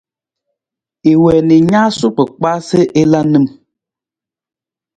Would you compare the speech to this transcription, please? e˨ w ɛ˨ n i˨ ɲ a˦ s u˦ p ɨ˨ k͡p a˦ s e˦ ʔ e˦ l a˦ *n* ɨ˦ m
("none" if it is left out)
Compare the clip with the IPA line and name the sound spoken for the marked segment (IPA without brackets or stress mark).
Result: n